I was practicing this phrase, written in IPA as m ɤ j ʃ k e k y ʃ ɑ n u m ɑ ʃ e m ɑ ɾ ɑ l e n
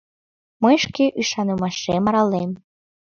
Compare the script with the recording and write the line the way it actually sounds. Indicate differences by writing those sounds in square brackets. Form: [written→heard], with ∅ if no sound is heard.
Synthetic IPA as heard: m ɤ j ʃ k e [k→ʔ] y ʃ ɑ n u m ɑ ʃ e m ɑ ɾ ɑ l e [n→m]